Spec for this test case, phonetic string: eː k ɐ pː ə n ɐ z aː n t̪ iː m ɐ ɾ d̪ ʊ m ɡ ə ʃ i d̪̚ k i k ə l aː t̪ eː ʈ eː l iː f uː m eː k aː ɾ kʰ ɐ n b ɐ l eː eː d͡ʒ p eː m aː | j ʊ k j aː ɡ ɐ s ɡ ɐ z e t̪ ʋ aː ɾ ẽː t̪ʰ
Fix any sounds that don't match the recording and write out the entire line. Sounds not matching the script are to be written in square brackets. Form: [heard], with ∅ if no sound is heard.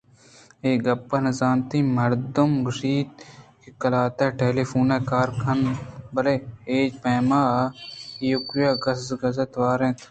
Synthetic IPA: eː [ɡ] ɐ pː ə n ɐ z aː n t̪ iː m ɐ ɾ d̪ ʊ m ɡ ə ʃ [iː] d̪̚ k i k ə l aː t̪ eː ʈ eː l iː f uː [n] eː k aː ɾ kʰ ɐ n b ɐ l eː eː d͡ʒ p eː m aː | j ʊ k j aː ɡ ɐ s ɡ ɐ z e t̪ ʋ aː ɾ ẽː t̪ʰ